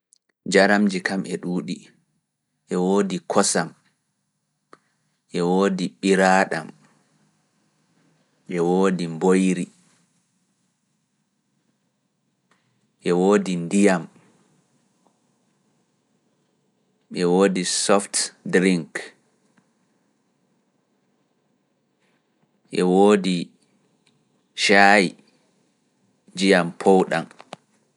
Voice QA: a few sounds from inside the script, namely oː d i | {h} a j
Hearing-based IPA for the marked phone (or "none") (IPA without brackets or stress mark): ʃ